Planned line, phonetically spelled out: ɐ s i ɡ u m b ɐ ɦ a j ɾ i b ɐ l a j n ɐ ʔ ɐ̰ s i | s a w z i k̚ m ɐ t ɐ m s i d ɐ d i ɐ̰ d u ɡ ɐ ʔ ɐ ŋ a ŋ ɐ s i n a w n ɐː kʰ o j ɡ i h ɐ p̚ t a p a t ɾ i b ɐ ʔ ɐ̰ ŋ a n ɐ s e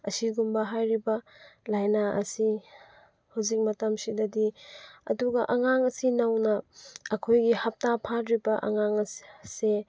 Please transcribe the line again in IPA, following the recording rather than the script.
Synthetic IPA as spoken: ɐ s i ɡ u m b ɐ ɦ a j ɾ i b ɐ l a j n a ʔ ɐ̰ s i | h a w z i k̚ m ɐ t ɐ m s i d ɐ d i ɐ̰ d u ɡ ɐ ʔ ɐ ŋ a ŋ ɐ s i n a w n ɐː kʰ o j ɡ i h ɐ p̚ t a pʰ a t ɾ i b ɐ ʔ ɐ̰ ŋ a ŋ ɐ s e